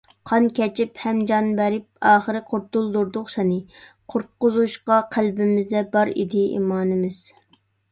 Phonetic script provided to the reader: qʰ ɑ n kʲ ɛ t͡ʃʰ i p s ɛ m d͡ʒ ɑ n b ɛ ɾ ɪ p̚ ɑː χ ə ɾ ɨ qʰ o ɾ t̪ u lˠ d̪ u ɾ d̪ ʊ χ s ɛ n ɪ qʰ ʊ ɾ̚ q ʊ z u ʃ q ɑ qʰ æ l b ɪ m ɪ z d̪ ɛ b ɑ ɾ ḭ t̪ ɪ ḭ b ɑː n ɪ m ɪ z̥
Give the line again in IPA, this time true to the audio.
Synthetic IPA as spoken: qʰ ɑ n kʲ ɛ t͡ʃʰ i p h ɛ m d͡ʒ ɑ n b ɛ ɾ ɪ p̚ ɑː χ ə ɾ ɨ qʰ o ɾ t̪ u lˠ d̪ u ɾ d̪ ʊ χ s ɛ n ɪ qʰ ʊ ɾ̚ q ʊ z u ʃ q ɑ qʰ æ l b ɪ m ɪ z d̪ ɛ b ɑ ɾ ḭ d̪ ɪ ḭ m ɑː n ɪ m ɪ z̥